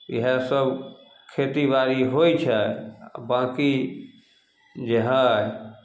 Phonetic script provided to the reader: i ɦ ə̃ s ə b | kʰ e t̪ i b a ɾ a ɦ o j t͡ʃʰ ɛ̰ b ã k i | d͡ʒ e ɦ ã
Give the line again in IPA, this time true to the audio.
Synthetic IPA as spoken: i ɦ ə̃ s ə b | kʰ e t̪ i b a ɾ i ɦ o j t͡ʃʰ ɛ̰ b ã k i | d͡ʒ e ɦ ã